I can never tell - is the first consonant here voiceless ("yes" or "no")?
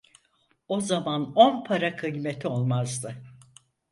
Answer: no